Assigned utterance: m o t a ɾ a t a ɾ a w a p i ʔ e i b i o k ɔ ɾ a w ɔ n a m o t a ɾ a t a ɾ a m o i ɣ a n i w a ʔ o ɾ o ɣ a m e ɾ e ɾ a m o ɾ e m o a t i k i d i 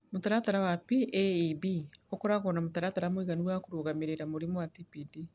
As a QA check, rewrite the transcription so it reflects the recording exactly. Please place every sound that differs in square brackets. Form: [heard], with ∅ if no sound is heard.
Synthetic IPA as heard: m o t a ɾ a t a ɾ a w a p i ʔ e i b i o k ɔ ɾ a [ɣ] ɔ n a m o t a ɾ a t a ɾ a m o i ɣ a n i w a [k] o ɾ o ɣ a m e ɾ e ɾ a m o ɾ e m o a t i [p] i d i